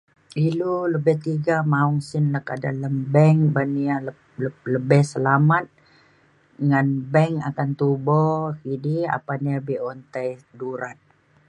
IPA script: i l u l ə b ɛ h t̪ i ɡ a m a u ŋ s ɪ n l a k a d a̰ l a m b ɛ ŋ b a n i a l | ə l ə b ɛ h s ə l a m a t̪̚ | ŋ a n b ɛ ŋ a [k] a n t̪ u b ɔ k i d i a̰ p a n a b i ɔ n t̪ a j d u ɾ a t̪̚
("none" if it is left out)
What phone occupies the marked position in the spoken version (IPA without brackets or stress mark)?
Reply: k